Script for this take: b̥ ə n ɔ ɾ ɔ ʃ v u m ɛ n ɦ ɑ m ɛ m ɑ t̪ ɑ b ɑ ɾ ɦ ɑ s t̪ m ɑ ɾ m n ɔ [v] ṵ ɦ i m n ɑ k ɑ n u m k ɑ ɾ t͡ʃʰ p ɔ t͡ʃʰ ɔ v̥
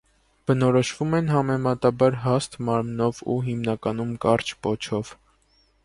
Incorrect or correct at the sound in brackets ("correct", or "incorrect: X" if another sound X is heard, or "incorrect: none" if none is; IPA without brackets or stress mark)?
correct